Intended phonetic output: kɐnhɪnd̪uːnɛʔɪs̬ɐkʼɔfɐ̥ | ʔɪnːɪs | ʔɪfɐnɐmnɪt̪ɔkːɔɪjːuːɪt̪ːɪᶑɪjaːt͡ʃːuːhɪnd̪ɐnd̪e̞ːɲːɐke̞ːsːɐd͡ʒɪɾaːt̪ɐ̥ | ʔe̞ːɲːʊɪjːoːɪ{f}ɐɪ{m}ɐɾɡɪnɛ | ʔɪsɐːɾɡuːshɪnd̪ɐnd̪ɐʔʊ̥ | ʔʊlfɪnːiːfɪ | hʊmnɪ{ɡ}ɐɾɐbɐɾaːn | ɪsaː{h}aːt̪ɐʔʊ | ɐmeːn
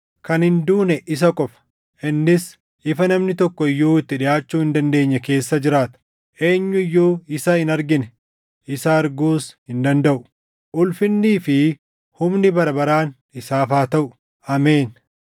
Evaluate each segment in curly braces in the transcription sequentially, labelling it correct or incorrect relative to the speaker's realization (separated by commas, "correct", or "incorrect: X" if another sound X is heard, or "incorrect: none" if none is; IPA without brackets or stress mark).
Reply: incorrect: s, incorrect: n, incorrect: b, incorrect: f